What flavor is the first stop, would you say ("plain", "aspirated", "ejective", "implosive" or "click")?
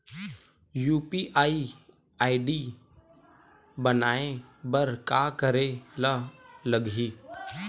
plain